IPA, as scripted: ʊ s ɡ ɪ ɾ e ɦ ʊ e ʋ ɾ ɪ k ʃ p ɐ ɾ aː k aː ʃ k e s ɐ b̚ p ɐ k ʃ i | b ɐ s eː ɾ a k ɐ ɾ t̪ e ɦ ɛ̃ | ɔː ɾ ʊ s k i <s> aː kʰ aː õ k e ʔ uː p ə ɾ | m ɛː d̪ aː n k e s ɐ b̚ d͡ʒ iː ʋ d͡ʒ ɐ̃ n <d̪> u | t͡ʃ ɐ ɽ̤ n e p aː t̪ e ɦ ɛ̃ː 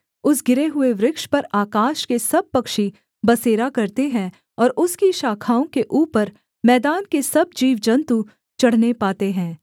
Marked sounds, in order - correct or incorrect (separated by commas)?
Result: incorrect, incorrect